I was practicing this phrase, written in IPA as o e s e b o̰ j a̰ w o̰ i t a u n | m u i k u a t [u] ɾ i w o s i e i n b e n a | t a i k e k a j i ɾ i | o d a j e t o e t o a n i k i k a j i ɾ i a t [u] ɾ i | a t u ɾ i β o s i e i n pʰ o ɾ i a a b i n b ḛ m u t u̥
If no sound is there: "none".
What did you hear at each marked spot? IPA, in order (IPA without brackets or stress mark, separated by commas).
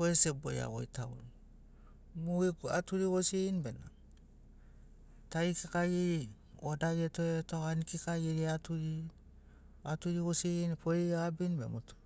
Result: u, u